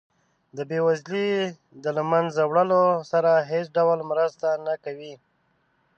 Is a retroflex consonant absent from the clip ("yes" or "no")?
no